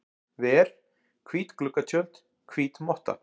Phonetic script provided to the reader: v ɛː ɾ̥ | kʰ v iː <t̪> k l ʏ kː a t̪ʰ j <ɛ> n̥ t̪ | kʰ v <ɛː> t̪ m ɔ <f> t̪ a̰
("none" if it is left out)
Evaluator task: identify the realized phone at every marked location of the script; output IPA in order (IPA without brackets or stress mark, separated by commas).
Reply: t̪, œ, iː, h